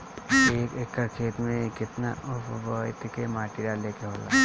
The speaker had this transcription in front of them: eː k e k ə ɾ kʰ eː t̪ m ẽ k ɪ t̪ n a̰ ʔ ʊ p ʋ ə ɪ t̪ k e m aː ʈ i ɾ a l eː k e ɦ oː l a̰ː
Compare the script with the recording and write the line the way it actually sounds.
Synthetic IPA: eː k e k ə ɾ kʰ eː t̪ m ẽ k ɪ t̪ n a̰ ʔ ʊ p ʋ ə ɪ t̪ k e m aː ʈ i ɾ a l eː k e ɦ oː l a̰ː